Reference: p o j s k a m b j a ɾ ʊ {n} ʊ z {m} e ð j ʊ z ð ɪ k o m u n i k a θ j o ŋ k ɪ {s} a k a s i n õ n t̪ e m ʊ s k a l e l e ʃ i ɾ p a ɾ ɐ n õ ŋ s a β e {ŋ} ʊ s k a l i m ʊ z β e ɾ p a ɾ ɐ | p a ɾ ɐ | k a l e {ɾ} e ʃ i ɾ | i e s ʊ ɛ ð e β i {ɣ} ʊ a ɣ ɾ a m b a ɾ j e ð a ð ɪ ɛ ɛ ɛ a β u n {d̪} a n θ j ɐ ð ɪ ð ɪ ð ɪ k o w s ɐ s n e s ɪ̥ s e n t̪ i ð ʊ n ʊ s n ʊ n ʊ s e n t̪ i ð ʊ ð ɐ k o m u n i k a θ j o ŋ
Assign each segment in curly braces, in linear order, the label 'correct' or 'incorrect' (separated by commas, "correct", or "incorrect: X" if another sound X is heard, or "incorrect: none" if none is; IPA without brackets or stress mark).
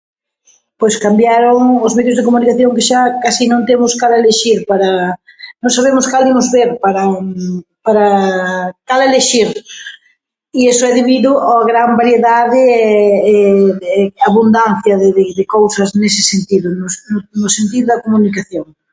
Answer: incorrect: ŋ, correct, incorrect: ʃ, incorrect: m, incorrect: l, incorrect: ð, correct